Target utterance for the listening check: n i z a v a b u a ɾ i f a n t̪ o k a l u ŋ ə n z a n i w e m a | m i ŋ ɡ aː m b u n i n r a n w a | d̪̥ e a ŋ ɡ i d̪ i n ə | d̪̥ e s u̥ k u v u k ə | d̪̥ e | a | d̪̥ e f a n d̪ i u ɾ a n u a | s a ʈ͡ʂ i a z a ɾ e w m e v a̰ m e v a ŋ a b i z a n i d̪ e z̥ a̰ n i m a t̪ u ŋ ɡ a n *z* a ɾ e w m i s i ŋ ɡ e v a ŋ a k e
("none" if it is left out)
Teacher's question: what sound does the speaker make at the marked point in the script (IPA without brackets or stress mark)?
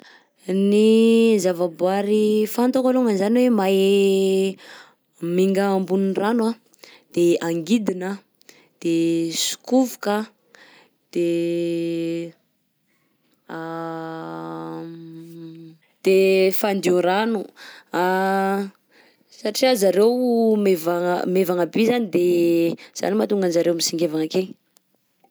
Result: z